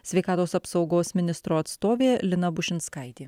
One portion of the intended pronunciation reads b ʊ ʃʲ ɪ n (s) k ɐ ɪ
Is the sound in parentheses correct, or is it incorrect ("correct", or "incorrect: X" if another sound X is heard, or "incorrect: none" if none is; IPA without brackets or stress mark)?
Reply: correct